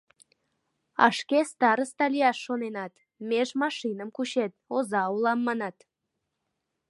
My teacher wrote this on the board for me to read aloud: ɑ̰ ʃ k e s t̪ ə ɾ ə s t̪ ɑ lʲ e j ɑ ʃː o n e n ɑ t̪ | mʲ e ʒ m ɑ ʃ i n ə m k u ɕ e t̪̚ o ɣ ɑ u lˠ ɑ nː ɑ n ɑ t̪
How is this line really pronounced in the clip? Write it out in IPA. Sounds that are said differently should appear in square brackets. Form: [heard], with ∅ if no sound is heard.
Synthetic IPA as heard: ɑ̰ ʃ k e s t̪ [ɑ] ɾ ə s t̪ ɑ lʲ [i] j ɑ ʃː o n e n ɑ t̪ | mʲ e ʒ m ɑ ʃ i n ə m k u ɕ e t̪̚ o [z] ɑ u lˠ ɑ [mː] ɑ n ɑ t̪

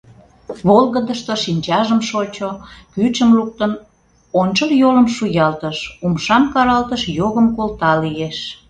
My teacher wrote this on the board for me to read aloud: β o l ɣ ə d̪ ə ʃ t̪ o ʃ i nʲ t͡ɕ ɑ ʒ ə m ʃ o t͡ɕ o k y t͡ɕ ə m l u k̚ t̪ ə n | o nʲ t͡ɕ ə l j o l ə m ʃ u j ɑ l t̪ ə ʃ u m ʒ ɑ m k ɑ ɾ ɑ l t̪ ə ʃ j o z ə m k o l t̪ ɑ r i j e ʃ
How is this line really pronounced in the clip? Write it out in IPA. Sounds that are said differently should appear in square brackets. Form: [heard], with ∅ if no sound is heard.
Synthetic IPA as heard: β o l ɣ ə d̪ ə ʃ t̪ o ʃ i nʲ t͡ɕ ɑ ʒ ə m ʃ o t͡ɕ o k y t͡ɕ ə m l u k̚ t̪ ə n | o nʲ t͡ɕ ə l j o l ə m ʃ u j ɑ l t̪ ə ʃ u m [ʃ] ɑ m k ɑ ɾ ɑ l t̪ ə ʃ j o [ɣ] ə m k o l t̪ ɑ [l] i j e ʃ

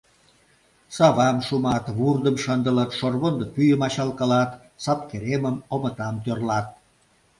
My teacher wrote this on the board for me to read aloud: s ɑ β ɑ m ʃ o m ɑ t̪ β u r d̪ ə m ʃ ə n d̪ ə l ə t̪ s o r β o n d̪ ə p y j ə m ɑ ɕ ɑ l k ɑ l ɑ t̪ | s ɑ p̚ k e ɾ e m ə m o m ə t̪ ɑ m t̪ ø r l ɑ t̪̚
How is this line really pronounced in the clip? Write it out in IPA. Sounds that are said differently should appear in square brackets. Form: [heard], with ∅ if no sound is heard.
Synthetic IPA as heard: s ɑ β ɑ m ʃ [u] m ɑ t̪ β u r d̪ ə m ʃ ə n d̪ ə l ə t̪ [ʃ] o r β o n d̪ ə p y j ə m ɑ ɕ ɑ l k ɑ l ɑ t̪ | s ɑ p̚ k e ɾ e m ə m o m ə t̪ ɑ m t̪ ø r l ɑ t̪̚

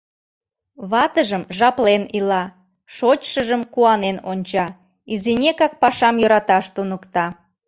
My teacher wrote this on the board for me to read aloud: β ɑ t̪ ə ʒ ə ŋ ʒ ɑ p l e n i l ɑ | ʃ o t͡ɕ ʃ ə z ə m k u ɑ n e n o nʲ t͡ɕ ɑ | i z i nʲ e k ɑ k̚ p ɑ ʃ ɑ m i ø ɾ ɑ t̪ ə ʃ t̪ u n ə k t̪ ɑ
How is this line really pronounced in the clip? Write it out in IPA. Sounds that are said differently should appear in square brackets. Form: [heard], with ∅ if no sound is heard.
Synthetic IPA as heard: β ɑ t̪ ə ʒ ə [m] ʒ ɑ p l e n i l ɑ | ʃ o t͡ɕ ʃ ə [ʒ] ə m k u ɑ n e n o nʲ t͡ɕ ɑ | i z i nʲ e k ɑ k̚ p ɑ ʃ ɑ m [j] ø ɾ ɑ t̪ [ɑ] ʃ t̪ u n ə k t̪ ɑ

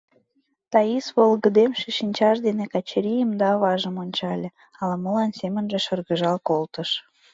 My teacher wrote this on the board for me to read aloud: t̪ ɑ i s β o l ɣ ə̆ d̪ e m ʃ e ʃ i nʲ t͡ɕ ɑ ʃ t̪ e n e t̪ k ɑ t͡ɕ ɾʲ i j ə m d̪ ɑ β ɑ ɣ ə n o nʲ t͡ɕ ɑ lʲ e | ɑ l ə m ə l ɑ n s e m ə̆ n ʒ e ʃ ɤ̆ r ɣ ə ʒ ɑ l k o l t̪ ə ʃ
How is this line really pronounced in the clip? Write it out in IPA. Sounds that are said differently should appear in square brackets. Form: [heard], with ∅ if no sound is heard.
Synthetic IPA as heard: t̪ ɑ i s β o l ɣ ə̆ d̪ e m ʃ e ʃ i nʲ t͡ɕ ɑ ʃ [d̪] e n e [∅] k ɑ t͡ɕ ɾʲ i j ə m d̪ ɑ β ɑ [ʒ] ə [m] o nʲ t͡ɕ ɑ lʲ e | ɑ l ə m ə l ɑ n s e m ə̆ n ʒ e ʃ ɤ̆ r ɣ ə ʒ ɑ l k o l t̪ ə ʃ

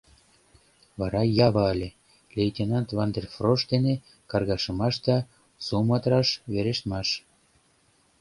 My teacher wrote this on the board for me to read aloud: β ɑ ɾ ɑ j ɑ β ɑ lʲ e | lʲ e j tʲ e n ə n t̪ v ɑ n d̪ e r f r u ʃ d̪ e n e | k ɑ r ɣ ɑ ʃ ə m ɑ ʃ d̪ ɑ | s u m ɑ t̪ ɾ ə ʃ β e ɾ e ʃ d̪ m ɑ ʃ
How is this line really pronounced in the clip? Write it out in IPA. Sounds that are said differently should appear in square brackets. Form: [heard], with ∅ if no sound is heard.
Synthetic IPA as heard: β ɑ ɾ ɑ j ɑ β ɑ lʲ e | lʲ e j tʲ e n [ɑ] n t̪ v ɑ n d̪ e r f r [o] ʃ d̪ e n e | k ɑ r ɣ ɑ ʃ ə m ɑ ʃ d̪ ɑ | s u m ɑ t̪ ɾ [ɑ] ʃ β e ɾ e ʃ [t̪] m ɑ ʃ

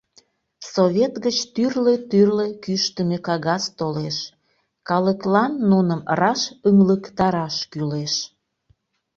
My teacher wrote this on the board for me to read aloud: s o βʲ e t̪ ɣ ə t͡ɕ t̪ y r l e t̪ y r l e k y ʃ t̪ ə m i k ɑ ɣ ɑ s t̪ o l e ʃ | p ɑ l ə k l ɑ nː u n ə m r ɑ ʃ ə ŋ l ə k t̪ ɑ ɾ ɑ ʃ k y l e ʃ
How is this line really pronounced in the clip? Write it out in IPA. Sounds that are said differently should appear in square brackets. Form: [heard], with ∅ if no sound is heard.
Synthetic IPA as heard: s o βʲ e t̪ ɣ ə t͡ɕ t̪ y r l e t̪ y r l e k y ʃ t̪ ə m [e] k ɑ ɣ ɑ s t̪ o l e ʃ | [k] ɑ l ə k l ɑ nː u n ə m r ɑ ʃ ə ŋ l ə k t̪ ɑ ɾ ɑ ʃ k y l e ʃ

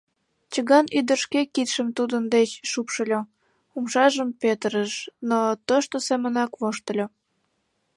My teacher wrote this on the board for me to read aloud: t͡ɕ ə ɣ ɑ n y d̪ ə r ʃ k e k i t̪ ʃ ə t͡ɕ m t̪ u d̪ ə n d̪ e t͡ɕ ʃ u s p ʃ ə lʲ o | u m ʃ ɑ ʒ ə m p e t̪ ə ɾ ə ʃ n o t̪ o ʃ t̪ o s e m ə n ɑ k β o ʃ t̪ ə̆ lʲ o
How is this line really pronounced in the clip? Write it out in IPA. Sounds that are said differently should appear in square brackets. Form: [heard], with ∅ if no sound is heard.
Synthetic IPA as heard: t͡ɕ ə ɣ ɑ n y d̪ ə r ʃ k e k i t̪ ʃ ə [∅] m t̪ u d̪ ə n d̪ e t͡ɕ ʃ u [∅] p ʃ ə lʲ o | u m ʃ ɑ ʒ ə m p e t̪ ə ɾ ə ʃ n o t̪ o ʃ t̪ o s e m ə n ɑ k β o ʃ t̪ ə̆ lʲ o

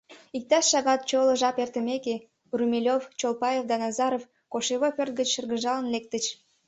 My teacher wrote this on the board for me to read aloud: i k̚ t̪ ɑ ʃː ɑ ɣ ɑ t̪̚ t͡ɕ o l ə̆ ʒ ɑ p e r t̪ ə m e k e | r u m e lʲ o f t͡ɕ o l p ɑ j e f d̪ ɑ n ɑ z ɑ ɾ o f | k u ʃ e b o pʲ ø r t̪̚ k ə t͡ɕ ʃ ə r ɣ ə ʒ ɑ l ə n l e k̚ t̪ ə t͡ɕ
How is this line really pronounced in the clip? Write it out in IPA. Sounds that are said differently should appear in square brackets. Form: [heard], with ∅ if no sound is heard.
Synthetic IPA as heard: i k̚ t̪ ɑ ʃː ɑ ɣ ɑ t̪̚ t͡ɕ o l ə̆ ʒ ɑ p e r t̪ ə m e k e | r u m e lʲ o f t͡ɕ o l p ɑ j e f d̪ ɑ n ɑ z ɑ ɾ o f | k [o] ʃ e [β] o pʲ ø r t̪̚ [ɡ] ə t͡ɕ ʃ ə r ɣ ə ʒ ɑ l ə n l e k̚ t̪ ə t͡ɕ

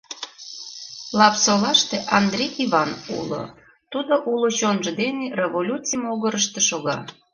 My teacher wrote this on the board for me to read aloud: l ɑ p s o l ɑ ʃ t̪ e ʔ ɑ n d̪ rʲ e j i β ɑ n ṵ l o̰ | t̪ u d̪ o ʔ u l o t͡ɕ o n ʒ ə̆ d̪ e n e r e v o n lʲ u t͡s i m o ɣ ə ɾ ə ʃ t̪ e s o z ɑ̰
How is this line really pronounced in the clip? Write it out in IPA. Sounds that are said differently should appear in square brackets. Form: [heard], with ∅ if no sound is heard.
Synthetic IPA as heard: l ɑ p s o l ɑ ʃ t̪ e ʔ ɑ n d̪ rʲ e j i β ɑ n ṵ l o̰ | t̪ u d̪ o ʔ u l o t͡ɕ o n ʒ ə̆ d̪ e n e r e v o [∅] lʲ u t͡s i m o ɣ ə ɾ ə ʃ t̪ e [ʃ] o [ɣ] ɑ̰

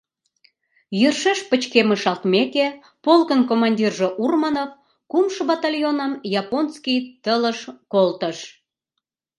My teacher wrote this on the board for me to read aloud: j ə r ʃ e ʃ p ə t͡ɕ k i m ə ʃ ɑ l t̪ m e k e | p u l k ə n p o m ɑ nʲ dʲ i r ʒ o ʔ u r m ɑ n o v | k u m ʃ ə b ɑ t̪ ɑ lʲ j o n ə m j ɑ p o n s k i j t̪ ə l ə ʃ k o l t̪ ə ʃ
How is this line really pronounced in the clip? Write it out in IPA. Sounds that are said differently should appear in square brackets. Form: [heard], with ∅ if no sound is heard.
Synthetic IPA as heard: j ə r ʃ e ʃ p ə t͡ɕ k [e] m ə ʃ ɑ l t̪ m e k e | p [o] l k ə n [k] o m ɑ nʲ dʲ i r ʒ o ʔ u r m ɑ n o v | k u m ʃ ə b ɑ t̪ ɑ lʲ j o n ə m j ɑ p o n s k i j t̪ ə l ə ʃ k o l t̪ ə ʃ

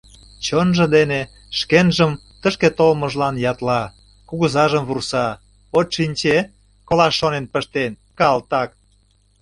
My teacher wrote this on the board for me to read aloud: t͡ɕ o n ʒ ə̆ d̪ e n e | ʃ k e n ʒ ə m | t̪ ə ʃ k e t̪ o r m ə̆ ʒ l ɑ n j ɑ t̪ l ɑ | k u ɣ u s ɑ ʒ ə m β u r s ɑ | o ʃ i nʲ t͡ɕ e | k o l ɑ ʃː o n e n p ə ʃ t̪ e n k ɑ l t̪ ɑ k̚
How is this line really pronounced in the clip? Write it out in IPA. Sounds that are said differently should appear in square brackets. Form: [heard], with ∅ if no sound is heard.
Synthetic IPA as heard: t͡ɕ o n ʒ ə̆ d̪ e n e | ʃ k e n ʒ ə m | t̪ ə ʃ k e t̪ o [l] m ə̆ ʒ l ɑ n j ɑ t̪ l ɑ | k u ɣ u [z] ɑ ʒ ə m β u r s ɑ | o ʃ i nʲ t͡ɕ e | k o l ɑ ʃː o n e n p ə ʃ t̪ e n k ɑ l t̪ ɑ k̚

